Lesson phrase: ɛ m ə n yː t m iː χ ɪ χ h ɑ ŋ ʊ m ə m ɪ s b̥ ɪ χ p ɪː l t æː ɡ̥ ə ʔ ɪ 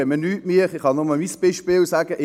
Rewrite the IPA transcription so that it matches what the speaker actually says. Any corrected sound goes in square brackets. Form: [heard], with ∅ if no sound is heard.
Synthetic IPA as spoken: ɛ m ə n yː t m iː χ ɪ χ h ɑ [n] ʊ m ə m [i] s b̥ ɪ [ʃ] p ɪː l [s] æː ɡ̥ ə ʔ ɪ